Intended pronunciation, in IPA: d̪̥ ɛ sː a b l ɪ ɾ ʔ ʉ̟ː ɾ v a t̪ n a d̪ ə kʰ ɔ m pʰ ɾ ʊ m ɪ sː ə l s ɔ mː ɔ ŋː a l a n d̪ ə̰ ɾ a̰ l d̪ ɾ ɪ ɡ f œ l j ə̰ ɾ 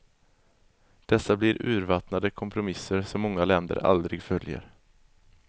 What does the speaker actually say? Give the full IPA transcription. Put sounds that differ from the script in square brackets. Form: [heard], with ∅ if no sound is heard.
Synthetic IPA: d̪̥ ɛ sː a b l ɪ ɾ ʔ ʉ̟ː ɾ v a t̪ n a d̪ ə kʰ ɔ m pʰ ɾ ʊ m ɪ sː ə [ɾ] s ɔ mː ɔ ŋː a l [ɛ] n d̪ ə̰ ɾ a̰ l d̪ ɾ ɪ ɡ f œ l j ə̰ ɾ